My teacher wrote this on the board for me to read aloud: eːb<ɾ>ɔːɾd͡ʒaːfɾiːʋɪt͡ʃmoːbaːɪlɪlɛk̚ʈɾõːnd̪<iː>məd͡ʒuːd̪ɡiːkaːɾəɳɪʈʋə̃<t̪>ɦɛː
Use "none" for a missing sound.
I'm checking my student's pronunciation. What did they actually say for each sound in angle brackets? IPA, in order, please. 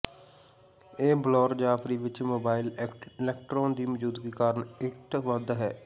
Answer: l, iː, d̪

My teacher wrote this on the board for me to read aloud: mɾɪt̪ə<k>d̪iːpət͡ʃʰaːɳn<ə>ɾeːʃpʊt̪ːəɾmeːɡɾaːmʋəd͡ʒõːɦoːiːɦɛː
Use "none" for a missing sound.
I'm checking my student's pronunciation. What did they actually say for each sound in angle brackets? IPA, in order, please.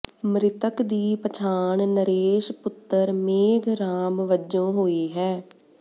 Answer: k, ə

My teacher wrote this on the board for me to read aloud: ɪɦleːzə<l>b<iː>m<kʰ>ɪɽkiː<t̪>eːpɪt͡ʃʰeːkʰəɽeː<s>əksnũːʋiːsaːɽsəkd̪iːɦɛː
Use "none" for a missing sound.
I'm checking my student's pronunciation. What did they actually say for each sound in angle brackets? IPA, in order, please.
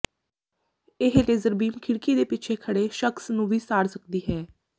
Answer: ɾ, iː, kʰ, d̪, ʃ

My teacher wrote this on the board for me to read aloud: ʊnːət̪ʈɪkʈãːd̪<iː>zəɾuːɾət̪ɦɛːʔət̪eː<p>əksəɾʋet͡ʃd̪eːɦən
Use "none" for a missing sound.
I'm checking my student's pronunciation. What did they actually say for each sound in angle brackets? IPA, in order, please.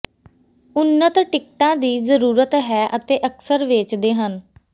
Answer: iː, ʔ

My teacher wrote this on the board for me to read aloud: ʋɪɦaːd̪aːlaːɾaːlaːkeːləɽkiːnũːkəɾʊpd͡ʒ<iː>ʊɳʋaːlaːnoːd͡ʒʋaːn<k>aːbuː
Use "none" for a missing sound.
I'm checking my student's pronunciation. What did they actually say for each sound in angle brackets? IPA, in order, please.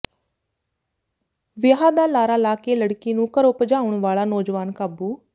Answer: aː, k

